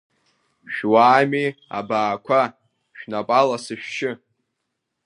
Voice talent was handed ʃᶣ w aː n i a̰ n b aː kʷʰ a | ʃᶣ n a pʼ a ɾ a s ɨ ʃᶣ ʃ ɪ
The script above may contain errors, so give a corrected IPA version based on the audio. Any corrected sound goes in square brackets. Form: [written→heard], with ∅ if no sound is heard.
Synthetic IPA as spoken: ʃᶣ w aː [n→m] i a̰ [n→∅] b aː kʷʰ a | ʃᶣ n a pʼ a [ɾ→l] a s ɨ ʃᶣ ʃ ɪ